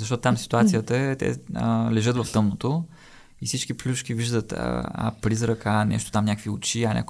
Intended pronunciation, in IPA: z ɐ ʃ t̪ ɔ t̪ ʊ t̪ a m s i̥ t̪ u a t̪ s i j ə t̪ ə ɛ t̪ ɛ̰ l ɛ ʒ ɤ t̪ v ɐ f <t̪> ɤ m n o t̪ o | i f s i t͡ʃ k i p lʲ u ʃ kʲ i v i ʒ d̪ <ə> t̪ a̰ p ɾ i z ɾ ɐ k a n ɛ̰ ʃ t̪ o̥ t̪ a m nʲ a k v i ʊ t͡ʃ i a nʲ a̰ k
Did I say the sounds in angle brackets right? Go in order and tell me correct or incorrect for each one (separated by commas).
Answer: correct, correct